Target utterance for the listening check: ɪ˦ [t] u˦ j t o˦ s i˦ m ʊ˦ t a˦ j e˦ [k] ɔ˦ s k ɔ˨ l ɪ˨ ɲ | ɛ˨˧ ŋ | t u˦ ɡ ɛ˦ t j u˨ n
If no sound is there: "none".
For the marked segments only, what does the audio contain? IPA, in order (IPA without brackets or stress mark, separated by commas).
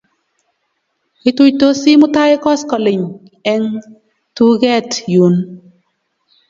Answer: t, k